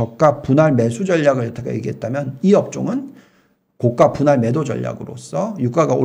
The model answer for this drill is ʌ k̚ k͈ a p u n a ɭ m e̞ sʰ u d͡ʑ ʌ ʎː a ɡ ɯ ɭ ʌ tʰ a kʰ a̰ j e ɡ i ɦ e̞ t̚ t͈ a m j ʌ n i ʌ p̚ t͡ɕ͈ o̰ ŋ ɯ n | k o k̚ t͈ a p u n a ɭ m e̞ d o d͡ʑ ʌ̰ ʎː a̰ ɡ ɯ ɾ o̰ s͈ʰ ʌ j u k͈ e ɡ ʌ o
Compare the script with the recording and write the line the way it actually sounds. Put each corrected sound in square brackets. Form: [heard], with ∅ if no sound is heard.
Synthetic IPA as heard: ʌ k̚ k͈ a p u n a ɭ m e̞ sʰ u d͡ʑ ʌ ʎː a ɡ ɯ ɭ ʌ tʰ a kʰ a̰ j e ɡ i ɦ e̞ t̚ t͈ a m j ʌ n i ʌ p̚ t͡ɕ͈ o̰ ŋ ɯ n | k o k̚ [k͈] a p u n a ɭ m e̞ d o d͡ʑ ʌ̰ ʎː a̰ ɡ ɯ ɾ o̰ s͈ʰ ʌ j u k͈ [a] ɡ [a] o